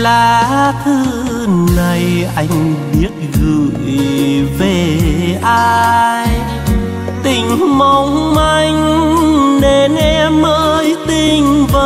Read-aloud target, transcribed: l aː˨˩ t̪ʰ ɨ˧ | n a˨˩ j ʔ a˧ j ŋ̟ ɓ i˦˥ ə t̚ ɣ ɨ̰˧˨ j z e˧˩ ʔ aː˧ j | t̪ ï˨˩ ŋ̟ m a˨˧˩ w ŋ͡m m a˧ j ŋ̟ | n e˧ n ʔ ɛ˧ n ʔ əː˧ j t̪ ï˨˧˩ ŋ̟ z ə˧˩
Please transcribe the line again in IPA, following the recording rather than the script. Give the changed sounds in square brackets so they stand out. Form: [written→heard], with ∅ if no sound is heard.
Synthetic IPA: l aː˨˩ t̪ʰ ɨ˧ | n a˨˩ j ʔ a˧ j ŋ̟ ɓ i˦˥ ə t̚ ɣ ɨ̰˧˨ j [z→v] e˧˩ ʔ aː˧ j | t̪ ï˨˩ ŋ̟ m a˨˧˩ w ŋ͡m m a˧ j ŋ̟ | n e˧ n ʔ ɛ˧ [n→m] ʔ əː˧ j t̪ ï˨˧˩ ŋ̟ [z→v] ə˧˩

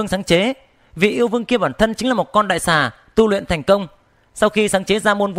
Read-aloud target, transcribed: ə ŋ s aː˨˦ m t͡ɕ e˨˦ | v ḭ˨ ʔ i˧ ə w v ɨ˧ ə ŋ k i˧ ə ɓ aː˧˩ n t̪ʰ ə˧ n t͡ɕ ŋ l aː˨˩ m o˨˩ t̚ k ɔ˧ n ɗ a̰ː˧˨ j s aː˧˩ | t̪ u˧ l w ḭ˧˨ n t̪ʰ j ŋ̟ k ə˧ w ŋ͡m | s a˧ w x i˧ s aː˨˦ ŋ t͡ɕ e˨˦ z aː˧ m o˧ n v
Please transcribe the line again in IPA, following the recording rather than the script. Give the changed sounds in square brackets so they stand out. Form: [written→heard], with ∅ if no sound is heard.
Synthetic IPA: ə ŋ s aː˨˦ [m→ŋ] t͡ɕ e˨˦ | v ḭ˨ ʔ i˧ ə w v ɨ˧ ə ŋ k i˧ ə ɓ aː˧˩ n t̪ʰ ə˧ n t͡ɕ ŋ l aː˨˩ m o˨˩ t̚ k ɔ˧ n ɗ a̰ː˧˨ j s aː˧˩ | t̪ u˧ l w ḭ˧˨ n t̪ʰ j ŋ̟ k ə˧ w ŋ͡m | s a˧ w x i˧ s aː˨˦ ŋ t͡ɕ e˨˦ z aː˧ m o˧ n v

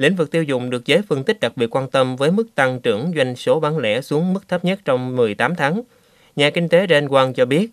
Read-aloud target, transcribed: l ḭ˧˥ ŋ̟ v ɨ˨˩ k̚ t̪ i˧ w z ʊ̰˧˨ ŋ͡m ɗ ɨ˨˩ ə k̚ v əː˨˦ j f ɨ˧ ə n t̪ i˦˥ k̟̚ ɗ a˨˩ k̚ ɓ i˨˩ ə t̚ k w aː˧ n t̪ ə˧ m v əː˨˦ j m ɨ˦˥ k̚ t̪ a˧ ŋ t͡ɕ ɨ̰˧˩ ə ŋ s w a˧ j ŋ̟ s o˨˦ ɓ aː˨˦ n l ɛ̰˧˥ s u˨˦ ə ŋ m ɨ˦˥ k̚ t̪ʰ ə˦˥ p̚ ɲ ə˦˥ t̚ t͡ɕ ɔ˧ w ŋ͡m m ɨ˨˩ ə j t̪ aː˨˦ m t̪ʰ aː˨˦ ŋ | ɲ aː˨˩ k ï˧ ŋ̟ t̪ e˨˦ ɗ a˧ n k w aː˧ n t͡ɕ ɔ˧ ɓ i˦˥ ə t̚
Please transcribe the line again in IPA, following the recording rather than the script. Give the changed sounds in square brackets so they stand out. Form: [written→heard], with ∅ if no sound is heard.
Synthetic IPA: l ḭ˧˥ ŋ̟ v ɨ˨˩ k̚ t̪ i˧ w z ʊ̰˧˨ ŋ͡m ɗ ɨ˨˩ ə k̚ [v→z] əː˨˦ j f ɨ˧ ə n t̪ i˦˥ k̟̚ ɗ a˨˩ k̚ ɓ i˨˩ ə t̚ k w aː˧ n t̪ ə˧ m v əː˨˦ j m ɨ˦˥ k̚ t̪ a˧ ŋ t͡ɕ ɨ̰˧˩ ə ŋ [s→z] w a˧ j ŋ̟ s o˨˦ ɓ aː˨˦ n l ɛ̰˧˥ s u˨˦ ə ŋ m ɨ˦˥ k̚ t̪ʰ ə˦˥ p̚ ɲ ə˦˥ t̚ t͡ɕ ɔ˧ w ŋ͡m m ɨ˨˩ ə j t̪ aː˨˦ m t̪ʰ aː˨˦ ŋ | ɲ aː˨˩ k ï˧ ŋ̟ t̪ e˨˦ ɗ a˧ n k w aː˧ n t͡ɕ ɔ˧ ɓ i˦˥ ə t̚

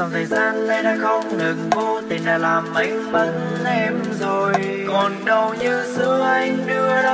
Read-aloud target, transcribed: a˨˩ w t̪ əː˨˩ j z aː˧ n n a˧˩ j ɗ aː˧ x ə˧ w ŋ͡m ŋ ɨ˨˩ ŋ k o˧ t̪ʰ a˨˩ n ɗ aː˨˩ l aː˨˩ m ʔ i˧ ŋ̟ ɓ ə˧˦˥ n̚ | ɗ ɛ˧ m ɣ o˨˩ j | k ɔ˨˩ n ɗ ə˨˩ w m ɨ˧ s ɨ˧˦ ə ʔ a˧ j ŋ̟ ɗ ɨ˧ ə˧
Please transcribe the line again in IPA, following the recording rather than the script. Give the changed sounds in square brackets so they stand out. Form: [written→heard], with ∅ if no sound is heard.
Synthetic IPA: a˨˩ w [t̪→t̪ʰ] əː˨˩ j z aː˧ n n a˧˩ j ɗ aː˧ x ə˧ w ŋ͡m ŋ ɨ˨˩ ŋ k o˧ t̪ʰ [a˨˩→i˨˩] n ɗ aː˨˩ l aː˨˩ m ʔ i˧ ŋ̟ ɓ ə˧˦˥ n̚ | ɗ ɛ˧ m [ɣ→z] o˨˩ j | k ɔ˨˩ n ɗ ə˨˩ w [m→ɲ] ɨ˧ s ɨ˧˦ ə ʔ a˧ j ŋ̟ ɗ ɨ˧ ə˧

